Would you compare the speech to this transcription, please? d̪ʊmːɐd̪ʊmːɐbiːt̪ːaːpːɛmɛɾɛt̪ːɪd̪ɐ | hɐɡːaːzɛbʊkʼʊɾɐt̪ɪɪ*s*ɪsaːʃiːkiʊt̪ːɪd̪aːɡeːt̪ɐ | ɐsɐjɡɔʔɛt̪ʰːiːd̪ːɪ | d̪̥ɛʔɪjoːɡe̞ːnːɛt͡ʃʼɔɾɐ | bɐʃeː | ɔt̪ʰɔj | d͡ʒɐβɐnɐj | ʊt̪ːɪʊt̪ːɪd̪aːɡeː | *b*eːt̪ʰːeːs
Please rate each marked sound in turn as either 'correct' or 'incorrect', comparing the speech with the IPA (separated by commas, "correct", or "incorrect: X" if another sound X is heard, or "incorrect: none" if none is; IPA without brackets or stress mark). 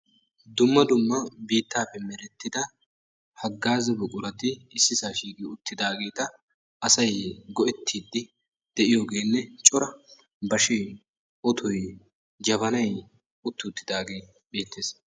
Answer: incorrect: sː, correct